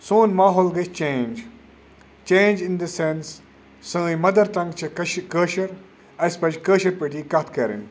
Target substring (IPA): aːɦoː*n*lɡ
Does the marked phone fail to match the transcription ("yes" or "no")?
yes